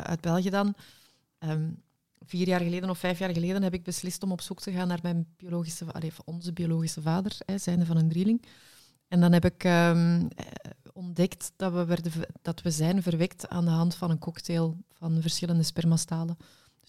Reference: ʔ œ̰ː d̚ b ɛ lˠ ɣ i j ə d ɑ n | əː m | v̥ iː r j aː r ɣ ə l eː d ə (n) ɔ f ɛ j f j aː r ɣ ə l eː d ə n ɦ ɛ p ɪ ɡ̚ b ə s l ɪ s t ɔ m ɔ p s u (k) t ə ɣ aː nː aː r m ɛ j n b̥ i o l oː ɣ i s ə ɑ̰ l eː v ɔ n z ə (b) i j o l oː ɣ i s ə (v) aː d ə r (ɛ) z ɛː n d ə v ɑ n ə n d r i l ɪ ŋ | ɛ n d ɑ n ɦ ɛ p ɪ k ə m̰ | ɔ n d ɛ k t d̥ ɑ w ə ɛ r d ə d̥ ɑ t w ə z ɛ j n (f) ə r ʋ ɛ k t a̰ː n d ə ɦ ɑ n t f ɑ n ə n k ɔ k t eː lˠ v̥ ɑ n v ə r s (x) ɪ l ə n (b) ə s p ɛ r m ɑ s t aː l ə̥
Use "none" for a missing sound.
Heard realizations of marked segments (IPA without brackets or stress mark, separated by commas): n, k, b, v, ɛ, v, x, d